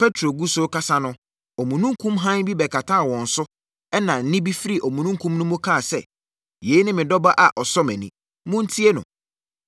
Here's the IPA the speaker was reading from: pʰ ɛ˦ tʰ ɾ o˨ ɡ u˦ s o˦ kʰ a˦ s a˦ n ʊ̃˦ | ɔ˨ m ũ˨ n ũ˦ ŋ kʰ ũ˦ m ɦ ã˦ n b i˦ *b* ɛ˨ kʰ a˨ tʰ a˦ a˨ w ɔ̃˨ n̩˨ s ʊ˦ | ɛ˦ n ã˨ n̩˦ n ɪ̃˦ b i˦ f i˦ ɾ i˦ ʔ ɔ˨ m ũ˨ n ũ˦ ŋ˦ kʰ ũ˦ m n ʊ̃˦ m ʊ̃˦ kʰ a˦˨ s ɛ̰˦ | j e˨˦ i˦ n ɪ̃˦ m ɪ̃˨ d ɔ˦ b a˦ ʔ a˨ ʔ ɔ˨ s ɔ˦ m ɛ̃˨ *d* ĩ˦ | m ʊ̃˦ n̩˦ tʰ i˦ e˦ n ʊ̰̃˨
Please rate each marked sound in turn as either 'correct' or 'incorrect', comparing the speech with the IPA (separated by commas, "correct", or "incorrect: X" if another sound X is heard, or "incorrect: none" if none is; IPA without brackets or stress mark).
correct, incorrect: n